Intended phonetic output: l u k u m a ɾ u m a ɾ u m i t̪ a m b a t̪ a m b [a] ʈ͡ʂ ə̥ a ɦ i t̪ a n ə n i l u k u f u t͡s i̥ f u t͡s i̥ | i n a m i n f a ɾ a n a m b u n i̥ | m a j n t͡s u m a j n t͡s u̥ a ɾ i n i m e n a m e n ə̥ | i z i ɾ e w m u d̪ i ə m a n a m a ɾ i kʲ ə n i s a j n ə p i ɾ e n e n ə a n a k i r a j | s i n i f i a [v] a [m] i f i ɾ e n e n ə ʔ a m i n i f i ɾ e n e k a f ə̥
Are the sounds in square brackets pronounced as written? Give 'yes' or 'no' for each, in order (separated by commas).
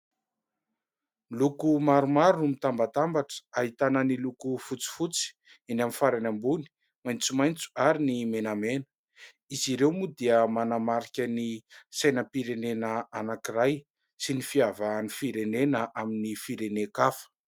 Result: yes, yes, no